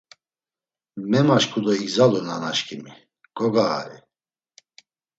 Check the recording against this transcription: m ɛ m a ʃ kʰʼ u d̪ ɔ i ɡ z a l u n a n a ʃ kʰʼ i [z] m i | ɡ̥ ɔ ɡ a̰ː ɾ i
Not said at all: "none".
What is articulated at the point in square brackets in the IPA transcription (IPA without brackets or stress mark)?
none